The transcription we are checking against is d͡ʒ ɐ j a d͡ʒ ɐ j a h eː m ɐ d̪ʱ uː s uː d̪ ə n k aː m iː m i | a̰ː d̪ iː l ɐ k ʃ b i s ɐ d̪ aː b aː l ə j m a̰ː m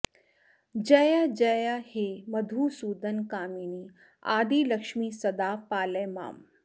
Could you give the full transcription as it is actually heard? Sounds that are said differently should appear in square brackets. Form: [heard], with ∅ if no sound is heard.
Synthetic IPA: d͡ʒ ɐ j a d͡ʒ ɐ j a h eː m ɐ d̪ʱ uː s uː d̪ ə n k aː m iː [n] i | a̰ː d̪ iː l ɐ k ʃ [m] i s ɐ d̪ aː [p] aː l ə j m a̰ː m